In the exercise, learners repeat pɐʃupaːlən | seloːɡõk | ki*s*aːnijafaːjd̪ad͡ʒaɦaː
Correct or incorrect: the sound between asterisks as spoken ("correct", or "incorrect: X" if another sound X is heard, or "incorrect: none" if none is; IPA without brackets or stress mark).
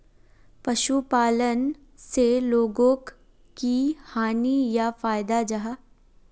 incorrect: h